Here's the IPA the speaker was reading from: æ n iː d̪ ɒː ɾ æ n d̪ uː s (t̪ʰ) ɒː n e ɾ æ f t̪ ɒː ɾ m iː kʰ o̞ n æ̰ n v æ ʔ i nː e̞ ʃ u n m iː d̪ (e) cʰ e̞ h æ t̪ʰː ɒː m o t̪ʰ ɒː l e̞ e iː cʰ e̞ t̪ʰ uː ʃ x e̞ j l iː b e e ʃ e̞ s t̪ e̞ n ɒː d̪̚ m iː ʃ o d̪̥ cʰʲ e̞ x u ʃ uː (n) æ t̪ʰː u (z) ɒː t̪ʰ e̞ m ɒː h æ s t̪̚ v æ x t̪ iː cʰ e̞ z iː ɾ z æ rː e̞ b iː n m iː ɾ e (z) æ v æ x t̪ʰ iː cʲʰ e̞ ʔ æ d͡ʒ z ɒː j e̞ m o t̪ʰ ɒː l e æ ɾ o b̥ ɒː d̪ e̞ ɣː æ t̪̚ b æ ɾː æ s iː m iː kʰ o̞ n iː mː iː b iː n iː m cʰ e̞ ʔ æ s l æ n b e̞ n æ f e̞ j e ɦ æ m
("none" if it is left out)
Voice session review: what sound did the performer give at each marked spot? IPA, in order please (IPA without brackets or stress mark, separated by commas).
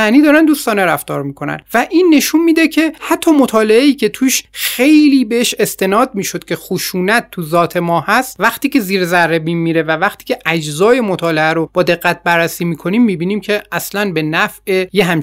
t̪, e, n, z, v